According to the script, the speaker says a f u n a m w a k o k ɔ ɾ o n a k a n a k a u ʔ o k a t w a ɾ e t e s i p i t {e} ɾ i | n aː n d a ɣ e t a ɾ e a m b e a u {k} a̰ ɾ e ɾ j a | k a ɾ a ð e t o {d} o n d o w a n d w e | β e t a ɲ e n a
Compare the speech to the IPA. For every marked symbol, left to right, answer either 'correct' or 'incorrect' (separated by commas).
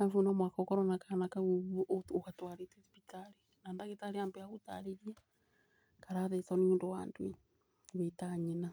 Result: incorrect, incorrect, incorrect